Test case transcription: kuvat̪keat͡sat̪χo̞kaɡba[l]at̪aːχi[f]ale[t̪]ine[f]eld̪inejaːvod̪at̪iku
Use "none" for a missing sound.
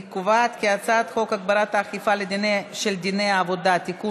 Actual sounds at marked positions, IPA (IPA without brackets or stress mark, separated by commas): ɾ, f, d̪, ʃ